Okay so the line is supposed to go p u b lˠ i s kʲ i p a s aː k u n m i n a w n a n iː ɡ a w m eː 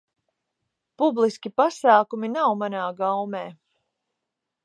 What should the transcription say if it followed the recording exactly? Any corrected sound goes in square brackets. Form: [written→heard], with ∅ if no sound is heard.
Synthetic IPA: p u b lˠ i s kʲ i p a s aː k u [n→∅] m i n a w [n→m] a n [iː→aː] ɡ a w m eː

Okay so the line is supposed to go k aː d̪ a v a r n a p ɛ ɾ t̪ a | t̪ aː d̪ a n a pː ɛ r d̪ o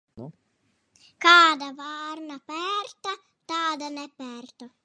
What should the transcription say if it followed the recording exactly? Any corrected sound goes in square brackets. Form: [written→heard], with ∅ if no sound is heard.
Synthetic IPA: k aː d̪ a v a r n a p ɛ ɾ t̪ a | t̪ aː d̪ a n [a→ɛ] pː ɛ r [d̪→t̪] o

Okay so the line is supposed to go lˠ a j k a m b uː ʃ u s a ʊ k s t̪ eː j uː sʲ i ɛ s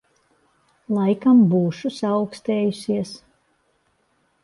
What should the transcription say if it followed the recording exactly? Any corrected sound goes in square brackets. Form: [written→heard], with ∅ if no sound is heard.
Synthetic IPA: lˠ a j k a m b uː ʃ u s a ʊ k s t̪ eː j [uː→u] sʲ i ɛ s

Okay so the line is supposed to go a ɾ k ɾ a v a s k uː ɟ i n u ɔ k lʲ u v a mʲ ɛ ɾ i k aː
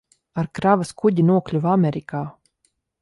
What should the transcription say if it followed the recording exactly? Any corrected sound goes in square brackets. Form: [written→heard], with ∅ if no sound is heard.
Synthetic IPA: a ɾ k ɾ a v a s k [uː→u] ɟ i n u ɔ k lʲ u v a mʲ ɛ ɾ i k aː

